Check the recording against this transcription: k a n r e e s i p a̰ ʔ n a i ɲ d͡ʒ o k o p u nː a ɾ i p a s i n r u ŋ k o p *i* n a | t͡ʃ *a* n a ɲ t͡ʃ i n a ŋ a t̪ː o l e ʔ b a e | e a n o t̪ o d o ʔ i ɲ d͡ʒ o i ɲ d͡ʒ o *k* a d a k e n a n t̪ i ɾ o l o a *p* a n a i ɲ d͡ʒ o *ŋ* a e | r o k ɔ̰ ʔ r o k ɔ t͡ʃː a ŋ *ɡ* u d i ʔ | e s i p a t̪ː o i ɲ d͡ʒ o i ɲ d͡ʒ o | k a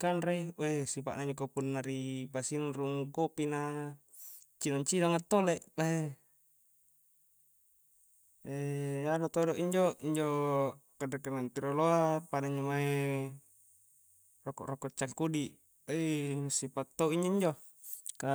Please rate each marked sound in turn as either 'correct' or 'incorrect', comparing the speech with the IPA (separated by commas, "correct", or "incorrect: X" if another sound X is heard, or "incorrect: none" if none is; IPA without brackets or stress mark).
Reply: correct, incorrect: i, correct, correct, incorrect: m, incorrect: k